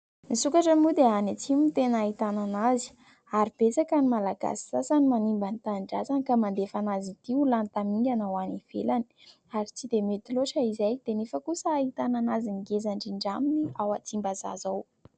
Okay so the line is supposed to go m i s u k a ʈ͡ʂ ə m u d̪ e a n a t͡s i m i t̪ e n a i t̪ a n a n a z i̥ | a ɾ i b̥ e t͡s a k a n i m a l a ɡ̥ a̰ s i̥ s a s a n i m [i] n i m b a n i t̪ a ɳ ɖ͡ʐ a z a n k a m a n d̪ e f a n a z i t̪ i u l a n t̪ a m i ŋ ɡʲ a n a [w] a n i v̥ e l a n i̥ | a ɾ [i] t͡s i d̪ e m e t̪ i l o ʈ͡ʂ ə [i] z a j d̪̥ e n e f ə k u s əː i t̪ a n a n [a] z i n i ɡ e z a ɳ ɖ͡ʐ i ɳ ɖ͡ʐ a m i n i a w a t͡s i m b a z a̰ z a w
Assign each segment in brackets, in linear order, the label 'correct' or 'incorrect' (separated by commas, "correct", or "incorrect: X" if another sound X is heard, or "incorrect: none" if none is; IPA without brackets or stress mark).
incorrect: a, correct, correct, correct, correct